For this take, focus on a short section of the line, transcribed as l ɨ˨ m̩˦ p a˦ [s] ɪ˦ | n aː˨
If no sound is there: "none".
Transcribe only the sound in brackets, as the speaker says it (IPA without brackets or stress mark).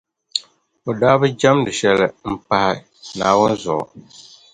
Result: h